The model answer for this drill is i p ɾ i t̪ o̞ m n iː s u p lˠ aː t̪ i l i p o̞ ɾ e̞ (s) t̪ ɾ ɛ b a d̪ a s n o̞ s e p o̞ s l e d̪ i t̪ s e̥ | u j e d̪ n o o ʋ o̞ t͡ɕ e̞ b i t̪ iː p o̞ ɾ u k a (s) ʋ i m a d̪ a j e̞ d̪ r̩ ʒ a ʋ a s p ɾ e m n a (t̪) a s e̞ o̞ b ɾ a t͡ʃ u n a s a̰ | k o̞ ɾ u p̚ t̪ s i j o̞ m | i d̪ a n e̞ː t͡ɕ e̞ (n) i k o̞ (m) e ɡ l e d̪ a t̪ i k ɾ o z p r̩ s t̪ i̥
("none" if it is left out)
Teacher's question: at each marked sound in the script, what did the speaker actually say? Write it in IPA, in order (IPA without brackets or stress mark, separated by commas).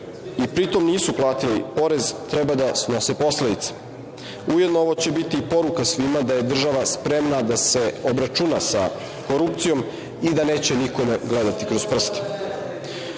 z, s, d̪, n, m